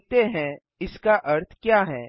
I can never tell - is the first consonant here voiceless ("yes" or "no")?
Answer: yes